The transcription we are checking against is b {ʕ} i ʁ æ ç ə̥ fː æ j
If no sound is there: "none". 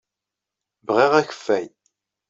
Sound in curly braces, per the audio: ʁ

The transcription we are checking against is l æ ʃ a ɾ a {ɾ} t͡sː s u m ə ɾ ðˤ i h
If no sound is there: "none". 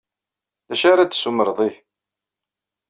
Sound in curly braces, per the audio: none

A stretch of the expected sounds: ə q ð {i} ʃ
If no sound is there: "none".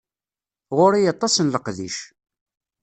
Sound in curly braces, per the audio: i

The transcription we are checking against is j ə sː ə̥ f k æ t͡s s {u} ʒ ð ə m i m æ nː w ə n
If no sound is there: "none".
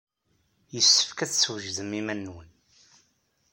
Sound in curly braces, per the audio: w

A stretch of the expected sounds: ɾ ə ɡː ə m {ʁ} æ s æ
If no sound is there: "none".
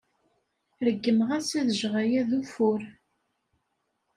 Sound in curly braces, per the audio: ʁ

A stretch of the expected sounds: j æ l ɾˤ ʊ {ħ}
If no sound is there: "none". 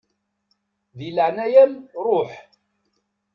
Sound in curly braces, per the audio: ħ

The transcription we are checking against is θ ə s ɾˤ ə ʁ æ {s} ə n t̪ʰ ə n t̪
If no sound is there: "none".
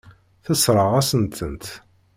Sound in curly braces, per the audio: s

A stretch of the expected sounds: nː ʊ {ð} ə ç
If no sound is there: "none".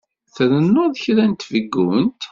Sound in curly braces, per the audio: ð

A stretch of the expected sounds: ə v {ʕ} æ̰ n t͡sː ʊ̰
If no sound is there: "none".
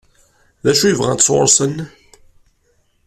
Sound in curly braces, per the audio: ʁ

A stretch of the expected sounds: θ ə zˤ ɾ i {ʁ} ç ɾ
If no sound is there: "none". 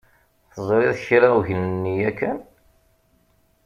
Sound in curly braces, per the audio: ð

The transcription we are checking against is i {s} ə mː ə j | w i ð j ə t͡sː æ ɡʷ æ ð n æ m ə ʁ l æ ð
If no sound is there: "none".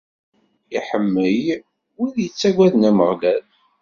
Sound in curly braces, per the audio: ħ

